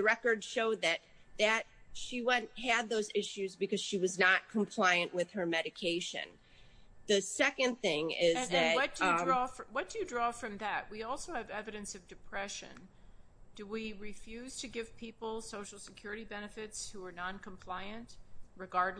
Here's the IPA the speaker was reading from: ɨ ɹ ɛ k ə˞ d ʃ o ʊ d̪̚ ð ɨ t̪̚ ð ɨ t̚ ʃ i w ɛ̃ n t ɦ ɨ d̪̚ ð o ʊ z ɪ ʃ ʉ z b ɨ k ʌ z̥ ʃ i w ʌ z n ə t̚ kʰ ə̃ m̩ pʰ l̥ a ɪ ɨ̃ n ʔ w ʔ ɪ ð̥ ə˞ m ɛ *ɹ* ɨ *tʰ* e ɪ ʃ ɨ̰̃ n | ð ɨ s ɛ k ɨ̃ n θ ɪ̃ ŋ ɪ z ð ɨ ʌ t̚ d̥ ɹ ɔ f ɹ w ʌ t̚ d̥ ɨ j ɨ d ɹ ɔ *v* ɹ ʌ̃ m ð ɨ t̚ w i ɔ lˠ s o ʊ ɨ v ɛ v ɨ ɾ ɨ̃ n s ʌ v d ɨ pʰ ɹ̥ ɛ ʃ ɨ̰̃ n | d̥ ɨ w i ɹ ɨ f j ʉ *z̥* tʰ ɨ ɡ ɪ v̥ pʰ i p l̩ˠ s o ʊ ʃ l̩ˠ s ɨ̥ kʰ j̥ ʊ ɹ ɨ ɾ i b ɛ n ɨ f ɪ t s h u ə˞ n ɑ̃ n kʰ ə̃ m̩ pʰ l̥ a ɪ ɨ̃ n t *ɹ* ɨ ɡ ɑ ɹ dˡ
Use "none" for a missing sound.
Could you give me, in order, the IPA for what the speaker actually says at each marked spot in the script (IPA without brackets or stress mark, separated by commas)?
ɾ, kʰ, f, z̥, ɹ